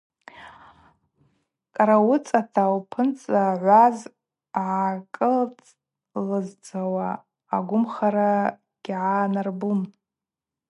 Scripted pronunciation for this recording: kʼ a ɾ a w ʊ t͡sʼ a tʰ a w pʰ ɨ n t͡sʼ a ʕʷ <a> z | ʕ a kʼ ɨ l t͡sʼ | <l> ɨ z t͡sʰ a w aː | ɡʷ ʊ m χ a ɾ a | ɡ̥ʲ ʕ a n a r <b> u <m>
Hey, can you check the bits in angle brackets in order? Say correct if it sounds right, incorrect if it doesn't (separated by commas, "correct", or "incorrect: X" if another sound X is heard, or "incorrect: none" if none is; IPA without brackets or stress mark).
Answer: correct, correct, correct, correct